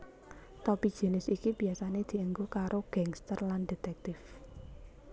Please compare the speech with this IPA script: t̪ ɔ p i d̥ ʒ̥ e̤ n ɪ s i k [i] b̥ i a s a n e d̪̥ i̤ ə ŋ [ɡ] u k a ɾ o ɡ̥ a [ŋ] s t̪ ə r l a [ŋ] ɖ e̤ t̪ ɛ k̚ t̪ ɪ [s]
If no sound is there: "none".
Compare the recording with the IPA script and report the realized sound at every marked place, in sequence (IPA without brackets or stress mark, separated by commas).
i, ɡ, ŋ, n, f